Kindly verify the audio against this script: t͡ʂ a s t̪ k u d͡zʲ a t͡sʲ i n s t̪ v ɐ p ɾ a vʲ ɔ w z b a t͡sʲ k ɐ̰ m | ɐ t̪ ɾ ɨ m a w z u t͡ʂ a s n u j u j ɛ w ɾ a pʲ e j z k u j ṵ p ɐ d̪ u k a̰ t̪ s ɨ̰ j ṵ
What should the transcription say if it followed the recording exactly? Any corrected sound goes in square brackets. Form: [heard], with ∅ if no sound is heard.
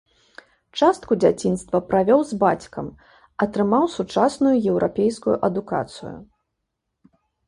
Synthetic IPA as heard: t͡ʂ a s t̪ k u d͡zʲ a t͡sʲ i n s t̪ v ɐ p ɾ a vʲ ɔ w z b a t͡sʲ k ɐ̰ m | ɐ t̪ ɾ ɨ m a w [s] u t͡ʂ a s n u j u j ɛ w ɾ a pʲ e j [s] k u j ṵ [ʔ] ɐ d̪ u k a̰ t̪ s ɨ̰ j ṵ